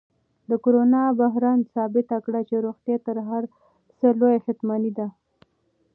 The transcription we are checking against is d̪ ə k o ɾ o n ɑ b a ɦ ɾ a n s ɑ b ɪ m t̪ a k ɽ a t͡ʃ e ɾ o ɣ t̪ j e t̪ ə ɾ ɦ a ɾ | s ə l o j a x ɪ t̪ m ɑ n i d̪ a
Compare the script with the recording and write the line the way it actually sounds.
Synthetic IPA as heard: d̪ ə k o ɾ o n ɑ b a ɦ ɾ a n s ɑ b ɪ t̪ a k ɽ a t͡ʃ e ɾ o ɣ t̪ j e t̪ ə ɾ ɦ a ɾ | s ə l o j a x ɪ t̪ m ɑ n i d̪ a